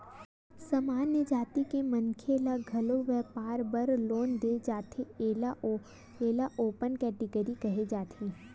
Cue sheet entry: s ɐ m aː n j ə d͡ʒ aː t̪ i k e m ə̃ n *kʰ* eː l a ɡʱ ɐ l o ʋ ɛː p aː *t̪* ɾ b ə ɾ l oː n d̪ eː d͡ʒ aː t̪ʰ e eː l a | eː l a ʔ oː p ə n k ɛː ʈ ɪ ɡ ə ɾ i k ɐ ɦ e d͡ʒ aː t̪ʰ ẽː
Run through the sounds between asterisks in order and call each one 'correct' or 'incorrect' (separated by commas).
correct, incorrect